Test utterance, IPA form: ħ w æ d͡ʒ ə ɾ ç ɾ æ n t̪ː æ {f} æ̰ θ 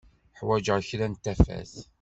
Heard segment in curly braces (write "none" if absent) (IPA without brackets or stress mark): f